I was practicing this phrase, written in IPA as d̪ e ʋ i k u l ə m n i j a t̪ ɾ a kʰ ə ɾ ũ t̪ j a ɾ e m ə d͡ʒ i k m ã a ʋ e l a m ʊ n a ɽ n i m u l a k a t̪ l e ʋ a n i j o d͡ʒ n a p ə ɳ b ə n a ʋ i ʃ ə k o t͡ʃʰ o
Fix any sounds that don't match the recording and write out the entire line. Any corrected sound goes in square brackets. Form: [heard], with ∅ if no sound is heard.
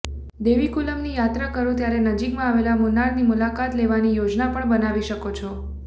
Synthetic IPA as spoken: d̪ e ʋ i k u l ə m n i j a t̪ ɾ a [k] ə ɾ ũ t̪ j a ɾ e [n] ə d͡ʒ i k m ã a ʋ e l a m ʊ n a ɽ n i m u l a k a t̪ l e ʋ a n i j o d͡ʒ n a p ə ɳ b ə n a ʋ i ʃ ə k o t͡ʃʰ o